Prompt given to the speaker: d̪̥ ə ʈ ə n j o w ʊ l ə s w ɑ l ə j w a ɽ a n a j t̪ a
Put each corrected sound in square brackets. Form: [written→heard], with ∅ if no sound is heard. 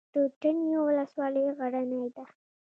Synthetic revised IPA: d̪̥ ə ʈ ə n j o w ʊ l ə s w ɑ l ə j [w→ɣ] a ɽ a n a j [t̪→d̪] a